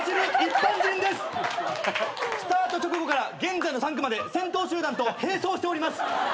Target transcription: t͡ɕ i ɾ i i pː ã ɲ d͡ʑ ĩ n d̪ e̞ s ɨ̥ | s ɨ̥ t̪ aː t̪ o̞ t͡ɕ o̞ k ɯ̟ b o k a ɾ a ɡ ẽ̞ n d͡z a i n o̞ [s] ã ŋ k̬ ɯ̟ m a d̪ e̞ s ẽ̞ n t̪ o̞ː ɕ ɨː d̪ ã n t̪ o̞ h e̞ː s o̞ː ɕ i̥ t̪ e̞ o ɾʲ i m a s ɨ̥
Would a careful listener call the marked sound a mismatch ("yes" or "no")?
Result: no